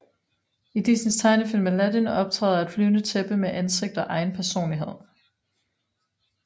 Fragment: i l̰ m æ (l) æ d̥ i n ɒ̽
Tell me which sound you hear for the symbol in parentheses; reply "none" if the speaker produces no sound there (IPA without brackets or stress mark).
l